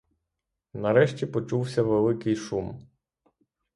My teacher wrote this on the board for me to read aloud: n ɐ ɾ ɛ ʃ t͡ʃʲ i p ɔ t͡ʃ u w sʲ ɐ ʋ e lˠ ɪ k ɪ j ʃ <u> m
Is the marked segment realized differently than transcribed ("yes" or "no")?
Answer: no